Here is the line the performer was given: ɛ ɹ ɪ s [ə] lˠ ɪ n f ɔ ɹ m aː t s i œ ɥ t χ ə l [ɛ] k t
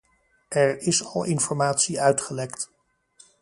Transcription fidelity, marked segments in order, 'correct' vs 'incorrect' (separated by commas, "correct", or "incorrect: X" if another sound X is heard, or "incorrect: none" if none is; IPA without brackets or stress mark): incorrect: ɑ, correct